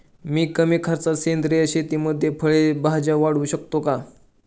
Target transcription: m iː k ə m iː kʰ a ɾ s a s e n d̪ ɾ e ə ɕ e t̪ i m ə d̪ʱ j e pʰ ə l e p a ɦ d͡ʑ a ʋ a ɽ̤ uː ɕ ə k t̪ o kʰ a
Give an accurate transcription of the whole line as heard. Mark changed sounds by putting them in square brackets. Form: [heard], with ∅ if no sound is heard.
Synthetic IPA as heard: m iː k ə m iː kʰ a ɾ [t͡s] a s e n d̪ ɾ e ə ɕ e t̪ i m ə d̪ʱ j e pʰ ə [ɭ] e [b] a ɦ d͡ʑ a ʋ a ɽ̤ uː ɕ ə k t̪ o [k] a